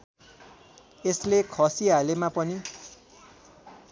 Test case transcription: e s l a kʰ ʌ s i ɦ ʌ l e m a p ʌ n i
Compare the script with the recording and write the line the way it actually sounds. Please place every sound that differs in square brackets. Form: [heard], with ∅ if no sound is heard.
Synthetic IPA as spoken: e s l [e] kʰ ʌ s i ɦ [a] l e m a p ʌ n i